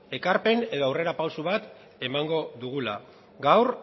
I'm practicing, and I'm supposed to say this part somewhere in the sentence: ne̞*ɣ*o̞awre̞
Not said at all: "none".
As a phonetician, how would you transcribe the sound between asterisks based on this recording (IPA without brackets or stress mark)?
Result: ð